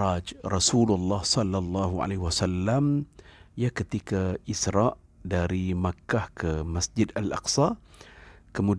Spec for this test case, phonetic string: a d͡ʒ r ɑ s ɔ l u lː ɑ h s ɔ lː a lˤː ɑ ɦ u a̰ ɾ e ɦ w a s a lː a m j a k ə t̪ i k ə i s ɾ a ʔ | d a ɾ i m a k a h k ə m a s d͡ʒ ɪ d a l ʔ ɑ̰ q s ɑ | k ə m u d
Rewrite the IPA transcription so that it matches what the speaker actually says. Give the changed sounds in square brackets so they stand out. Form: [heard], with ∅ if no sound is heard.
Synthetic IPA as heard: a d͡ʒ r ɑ s [u] l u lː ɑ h s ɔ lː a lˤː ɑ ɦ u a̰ [l] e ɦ w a s a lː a m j a k ə t̪ i k [a] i s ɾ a ʔ | d a ɾ i m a k a h k ə m a s d͡ʒ ɪ d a l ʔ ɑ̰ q s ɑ | k ə m u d